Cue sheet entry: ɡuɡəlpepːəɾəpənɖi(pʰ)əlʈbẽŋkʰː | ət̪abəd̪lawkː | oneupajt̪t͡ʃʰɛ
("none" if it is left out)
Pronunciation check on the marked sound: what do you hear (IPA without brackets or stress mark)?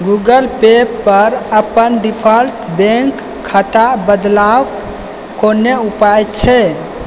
pʰ